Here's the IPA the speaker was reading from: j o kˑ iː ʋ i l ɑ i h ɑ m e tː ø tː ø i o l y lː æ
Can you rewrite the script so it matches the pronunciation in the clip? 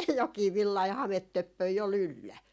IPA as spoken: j o kˑ iː ʋ i lː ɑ i h ɑ m e tː ø pː ø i o l y lː æ